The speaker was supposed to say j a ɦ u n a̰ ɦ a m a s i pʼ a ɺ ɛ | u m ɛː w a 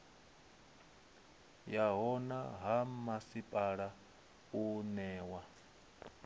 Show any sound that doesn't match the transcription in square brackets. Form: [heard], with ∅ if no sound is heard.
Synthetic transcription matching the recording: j a ɦ [ɔ] n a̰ ɦ a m a s i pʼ a ɺ [a] | u [n] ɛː w a

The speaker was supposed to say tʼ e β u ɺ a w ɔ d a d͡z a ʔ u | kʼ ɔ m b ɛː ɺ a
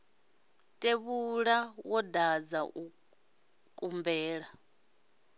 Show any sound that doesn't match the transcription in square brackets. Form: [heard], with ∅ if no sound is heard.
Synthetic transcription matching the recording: tʼ e β u ɺ a w ɔ d a d͡z a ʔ u | kʼ [u] m b ɛː ɺ a

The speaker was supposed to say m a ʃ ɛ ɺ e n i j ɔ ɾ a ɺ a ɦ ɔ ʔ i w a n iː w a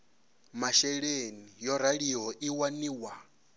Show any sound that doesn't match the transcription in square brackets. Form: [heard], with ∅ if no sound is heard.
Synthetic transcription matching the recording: m a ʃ ɛ ɺ e n i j ɔ ɾ a ɺ [i] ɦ ɔ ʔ i w a n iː w a

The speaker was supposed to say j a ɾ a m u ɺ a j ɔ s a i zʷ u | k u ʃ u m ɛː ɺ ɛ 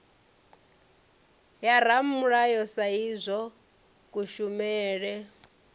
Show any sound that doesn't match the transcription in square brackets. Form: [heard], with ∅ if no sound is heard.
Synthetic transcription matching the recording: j a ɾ a m u ɺ a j ɔ s a i zʷ [ɔ] | k u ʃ u m ɛː ɺ ɛ

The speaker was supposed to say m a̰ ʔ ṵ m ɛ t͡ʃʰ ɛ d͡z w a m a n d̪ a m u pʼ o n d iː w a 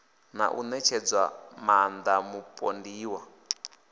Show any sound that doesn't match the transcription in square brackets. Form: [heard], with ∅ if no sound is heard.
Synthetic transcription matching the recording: [n] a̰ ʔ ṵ [n] ɛ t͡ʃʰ ɛ d͡z w a m a n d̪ a m u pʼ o n d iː w a

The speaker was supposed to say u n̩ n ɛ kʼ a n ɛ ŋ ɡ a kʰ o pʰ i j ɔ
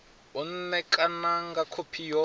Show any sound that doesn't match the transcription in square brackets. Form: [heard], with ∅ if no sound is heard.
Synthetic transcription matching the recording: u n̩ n ɛ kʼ a n [a] ŋ ɡ a kʰ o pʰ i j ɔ

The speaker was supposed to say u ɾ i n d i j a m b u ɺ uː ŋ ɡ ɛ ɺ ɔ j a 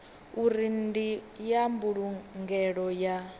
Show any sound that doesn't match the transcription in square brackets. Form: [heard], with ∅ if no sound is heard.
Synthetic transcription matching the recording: u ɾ i n d i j a m b u ɺ [u] ŋ ɡ ɛ ɺ ɔ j a

